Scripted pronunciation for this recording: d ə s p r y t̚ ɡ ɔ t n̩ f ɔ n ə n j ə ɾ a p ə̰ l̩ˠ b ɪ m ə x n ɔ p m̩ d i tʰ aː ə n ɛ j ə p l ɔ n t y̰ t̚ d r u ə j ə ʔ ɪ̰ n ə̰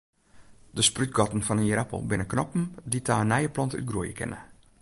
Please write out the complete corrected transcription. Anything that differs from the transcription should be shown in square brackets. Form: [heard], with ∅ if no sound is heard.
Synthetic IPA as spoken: d ə s p r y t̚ ɡ ɔ t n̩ f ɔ n ə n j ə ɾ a p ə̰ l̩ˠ b ɪ [n] ə [k] n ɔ p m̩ d i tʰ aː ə n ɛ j ə p l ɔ n t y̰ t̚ [ɡ] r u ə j ə [k] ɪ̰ n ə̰